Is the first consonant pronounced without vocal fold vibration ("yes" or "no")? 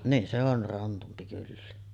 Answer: no